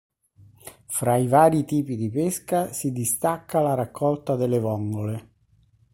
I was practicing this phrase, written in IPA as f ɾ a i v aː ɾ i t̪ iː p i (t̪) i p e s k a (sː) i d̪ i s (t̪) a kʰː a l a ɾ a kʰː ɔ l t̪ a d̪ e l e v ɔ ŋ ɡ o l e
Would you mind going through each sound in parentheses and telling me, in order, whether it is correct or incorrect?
incorrect: d̪, incorrect: s, correct

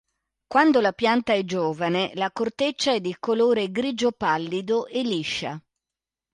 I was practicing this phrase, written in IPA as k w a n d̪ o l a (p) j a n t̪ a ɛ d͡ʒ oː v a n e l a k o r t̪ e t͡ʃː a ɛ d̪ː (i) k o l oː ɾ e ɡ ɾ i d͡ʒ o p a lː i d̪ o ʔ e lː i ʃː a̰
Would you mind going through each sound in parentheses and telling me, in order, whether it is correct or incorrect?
correct, correct

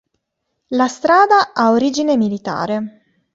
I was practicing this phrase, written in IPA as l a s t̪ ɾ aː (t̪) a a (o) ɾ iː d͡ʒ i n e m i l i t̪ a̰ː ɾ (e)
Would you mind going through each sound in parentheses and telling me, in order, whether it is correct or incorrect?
incorrect: d̪, correct, correct

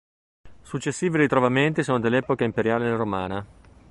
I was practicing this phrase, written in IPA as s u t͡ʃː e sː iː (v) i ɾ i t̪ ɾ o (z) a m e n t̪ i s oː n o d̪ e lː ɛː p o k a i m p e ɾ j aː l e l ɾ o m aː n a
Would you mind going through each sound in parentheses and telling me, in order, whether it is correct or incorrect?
correct, incorrect: v

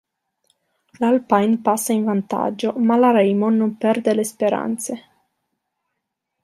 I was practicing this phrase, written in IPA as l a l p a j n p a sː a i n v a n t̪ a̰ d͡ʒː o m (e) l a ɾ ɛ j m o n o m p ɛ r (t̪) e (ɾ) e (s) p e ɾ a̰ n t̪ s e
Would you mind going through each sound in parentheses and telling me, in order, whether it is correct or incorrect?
incorrect: a, incorrect: d̪, incorrect: l, correct

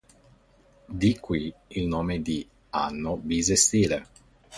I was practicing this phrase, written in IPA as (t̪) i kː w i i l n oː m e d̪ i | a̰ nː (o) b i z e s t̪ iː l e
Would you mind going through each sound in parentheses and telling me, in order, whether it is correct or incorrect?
incorrect: d̪, correct

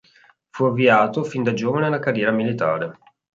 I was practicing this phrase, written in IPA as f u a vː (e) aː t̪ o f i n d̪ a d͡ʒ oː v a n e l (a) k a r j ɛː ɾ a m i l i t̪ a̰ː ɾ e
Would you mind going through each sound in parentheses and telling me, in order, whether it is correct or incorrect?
incorrect: i, correct

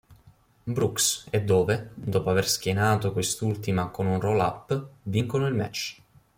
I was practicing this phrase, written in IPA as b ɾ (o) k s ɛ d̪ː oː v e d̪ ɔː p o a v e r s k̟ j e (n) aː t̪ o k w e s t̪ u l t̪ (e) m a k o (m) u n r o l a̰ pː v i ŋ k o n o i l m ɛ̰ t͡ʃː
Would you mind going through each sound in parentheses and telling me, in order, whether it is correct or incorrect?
incorrect: u, correct, incorrect: i, incorrect: n

